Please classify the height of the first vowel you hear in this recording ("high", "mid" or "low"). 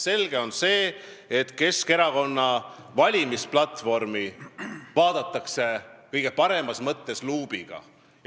mid